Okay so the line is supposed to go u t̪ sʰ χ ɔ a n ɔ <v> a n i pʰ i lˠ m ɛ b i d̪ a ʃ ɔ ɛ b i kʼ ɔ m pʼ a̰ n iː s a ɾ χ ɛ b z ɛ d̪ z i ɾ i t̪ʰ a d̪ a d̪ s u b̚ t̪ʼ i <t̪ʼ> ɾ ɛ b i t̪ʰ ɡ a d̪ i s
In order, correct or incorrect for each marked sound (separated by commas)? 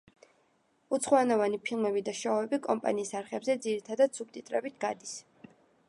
correct, correct